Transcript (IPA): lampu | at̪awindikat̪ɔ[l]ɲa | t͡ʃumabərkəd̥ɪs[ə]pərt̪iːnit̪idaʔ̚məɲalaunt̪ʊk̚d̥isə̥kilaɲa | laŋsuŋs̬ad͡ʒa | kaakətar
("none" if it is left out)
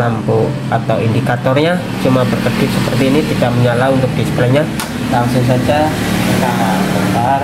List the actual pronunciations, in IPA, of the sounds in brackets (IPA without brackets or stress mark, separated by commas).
r, ə